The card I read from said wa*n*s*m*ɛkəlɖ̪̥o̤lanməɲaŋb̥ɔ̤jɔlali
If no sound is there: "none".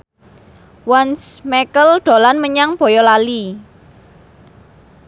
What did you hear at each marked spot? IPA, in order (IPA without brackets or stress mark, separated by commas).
n, m